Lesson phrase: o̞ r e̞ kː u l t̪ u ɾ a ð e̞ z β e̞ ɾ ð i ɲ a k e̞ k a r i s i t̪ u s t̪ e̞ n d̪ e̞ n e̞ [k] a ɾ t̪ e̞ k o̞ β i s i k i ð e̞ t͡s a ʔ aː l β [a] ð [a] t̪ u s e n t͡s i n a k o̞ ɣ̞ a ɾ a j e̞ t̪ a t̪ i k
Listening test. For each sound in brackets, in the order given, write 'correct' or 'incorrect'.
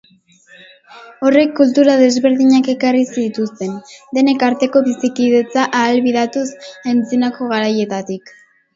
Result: correct, incorrect: i, correct

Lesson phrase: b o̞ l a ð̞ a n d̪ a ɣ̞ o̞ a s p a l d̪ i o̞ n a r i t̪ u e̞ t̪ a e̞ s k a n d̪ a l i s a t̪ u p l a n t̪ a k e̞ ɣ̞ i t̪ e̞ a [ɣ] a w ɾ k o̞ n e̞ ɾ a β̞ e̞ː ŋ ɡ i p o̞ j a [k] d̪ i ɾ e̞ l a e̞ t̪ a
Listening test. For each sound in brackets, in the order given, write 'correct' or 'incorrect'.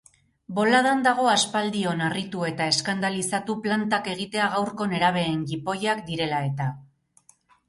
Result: correct, correct

